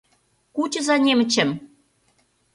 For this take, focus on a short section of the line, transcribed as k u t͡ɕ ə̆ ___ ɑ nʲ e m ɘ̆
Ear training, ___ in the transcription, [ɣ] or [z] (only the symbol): z